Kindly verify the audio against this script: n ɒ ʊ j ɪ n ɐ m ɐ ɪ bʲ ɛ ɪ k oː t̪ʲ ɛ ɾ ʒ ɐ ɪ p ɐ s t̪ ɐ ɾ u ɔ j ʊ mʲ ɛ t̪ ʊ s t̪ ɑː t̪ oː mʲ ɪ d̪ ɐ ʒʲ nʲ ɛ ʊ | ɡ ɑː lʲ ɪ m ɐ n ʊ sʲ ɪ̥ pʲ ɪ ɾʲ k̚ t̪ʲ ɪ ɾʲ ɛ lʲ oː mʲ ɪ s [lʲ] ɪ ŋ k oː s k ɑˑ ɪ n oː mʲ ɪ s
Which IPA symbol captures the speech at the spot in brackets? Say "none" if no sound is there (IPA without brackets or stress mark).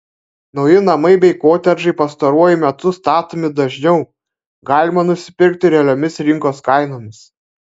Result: ɾʲ